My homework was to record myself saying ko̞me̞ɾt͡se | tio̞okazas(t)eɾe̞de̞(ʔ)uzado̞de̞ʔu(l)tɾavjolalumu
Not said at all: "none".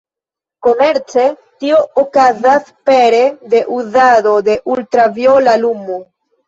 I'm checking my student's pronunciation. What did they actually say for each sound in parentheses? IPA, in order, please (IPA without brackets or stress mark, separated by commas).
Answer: p, ʔ, l